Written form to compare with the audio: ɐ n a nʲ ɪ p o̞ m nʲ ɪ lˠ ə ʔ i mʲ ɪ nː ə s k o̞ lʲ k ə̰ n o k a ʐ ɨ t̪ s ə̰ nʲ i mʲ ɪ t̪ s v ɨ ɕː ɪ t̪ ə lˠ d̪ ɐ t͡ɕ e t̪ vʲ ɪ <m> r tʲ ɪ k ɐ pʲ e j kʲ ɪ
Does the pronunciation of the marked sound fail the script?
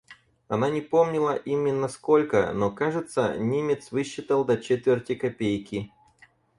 yes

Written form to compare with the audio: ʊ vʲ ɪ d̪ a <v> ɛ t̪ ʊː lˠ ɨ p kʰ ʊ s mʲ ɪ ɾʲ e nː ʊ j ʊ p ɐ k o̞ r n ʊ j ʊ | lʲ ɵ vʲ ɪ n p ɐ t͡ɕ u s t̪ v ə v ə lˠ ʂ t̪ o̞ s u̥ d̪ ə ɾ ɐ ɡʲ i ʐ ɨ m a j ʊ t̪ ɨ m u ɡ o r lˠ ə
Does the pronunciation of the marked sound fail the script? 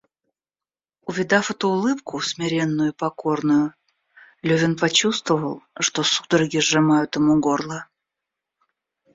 yes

